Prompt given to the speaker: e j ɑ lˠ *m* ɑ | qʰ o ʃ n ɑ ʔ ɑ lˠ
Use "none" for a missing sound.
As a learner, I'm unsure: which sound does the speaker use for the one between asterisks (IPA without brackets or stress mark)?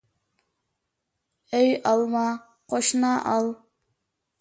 m